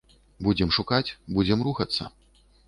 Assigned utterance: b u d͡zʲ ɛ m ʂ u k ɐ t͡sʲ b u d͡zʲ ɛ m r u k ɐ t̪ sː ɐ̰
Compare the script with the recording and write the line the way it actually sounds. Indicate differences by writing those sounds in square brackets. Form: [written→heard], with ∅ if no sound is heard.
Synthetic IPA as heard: b u d͡zʲ ɛ m ʂ u k [ɐ→a] t͡sʲ b u d͡zʲ ɛ m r u [k→x] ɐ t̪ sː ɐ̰